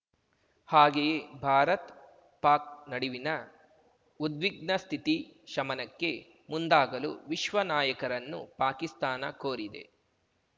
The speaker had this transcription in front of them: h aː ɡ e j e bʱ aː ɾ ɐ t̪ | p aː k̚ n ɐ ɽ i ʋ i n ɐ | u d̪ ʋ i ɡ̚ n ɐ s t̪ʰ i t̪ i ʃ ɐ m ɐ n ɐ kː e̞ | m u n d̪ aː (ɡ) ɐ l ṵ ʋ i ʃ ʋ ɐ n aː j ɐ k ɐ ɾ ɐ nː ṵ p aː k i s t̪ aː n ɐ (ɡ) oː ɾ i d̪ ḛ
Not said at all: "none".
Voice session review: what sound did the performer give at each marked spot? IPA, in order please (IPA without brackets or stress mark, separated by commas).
ɡ, k